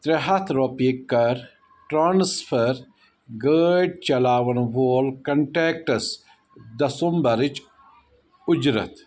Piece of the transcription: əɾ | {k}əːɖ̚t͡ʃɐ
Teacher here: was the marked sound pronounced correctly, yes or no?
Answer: no